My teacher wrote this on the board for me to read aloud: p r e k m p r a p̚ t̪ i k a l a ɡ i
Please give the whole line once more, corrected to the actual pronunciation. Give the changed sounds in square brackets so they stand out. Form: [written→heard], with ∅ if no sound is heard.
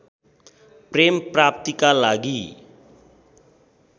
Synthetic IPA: p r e [k→∅] m p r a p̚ t̪ i k a l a ɡ i